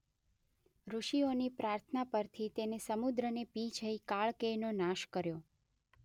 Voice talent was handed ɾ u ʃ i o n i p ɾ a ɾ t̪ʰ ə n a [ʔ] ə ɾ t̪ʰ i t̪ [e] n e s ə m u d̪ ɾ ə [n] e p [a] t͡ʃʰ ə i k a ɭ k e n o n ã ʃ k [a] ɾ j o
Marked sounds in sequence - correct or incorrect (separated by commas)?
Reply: incorrect, correct, correct, incorrect, incorrect